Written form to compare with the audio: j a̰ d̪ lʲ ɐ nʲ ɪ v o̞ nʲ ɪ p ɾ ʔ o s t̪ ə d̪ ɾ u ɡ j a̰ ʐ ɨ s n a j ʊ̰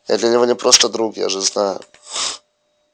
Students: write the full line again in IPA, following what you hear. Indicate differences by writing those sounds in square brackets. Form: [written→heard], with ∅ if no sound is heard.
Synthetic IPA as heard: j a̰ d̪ lʲ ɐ nʲ ɪ v o̞ nʲ ɪ p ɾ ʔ o s t̪ ə d̪ ɾ u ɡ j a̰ ʐ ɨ [s→z] n a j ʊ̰